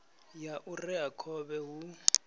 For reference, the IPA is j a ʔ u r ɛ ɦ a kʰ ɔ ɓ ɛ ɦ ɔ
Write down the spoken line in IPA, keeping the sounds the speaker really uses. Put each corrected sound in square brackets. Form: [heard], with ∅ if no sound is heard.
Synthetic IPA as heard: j a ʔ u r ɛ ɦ a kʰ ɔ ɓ ɛ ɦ [u]